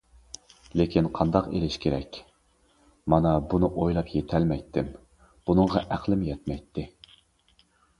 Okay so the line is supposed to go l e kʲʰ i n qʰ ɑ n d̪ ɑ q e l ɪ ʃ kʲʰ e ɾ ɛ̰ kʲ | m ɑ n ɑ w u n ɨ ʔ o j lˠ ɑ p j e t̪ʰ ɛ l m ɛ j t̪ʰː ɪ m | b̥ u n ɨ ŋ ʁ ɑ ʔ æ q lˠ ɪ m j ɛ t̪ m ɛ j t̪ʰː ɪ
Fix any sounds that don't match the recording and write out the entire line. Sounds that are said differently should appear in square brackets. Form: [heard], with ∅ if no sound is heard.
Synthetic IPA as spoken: l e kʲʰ i n qʰ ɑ n d̪ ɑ q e l ɪ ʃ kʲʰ e ɾ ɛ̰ kʲ | m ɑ n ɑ [b] u n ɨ ʔ o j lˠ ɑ p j e t̪ʰ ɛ l m ɛ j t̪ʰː ɪ m | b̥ u n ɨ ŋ ʁ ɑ ʔ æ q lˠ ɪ m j ɛ t̪ m ɛ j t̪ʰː ɪ